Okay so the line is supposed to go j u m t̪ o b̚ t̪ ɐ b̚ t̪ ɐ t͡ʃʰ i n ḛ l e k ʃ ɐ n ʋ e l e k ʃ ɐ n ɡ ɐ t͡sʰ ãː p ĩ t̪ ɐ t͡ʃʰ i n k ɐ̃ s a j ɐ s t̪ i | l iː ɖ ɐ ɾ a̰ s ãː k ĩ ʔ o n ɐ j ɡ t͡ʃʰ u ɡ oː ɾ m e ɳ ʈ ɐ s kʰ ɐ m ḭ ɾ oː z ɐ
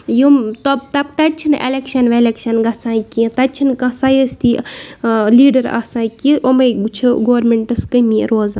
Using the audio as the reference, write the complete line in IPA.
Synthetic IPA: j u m t̪ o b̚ t̪ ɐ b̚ t̪ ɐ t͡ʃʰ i n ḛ l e k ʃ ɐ n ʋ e l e k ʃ ɐ n ɡ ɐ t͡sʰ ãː k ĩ t̪ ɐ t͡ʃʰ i n k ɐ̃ s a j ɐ s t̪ i | l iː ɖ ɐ ɾ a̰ s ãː k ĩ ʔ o m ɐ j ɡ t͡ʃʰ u ɡ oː ɾ m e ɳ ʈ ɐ s k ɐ m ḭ ɾ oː z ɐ